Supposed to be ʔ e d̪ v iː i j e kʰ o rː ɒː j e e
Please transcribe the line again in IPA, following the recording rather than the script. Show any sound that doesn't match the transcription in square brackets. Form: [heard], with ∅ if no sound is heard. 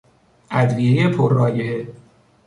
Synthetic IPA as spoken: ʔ [æ] d̪ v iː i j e [pʰ] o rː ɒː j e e